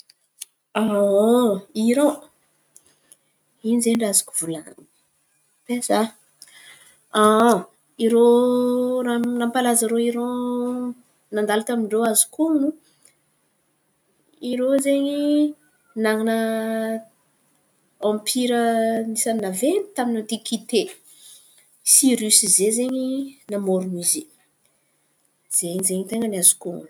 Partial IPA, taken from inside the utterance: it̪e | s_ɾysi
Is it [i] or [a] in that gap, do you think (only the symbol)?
i